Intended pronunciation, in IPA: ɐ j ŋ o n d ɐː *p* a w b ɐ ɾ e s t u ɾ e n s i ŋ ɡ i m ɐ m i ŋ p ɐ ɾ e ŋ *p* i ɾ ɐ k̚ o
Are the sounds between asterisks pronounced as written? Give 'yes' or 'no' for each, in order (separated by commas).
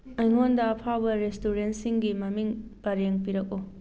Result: no, yes